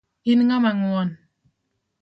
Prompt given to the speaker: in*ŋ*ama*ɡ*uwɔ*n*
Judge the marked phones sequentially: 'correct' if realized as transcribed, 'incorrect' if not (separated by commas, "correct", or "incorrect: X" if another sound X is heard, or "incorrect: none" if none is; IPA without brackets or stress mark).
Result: correct, incorrect: ŋ, correct